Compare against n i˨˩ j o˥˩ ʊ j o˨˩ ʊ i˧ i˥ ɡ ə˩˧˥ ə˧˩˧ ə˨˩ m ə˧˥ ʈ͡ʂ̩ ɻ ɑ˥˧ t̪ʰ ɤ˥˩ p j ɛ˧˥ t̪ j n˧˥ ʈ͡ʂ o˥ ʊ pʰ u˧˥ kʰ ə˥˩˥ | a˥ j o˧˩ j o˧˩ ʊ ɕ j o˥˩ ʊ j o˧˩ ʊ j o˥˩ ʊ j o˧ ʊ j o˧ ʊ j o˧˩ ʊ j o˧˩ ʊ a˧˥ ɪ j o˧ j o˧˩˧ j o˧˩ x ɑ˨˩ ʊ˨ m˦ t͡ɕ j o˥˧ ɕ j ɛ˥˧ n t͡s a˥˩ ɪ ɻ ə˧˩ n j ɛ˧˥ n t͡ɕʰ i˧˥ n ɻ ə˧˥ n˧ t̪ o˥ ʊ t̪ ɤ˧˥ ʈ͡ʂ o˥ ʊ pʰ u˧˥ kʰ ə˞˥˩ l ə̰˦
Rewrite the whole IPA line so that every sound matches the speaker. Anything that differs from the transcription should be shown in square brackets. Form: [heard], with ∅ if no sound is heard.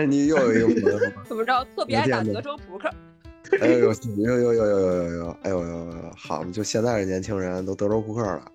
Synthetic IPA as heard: n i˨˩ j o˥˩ ʊ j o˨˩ ʊ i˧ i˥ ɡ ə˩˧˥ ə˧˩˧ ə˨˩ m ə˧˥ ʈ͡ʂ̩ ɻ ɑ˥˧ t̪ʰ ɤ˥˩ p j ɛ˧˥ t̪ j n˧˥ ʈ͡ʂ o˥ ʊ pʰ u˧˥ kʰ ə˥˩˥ | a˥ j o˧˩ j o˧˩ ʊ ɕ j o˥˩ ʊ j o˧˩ ʊ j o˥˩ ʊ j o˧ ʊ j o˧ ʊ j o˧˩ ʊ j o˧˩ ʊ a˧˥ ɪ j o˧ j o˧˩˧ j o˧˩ x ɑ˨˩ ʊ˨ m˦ t͡ɕ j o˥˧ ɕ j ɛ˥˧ n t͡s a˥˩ ɪ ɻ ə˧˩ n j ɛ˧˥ n t͡ɕʰ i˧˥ [ŋ] ɻ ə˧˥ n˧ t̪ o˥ ʊ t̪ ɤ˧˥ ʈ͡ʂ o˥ ʊ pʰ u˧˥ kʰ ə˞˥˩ l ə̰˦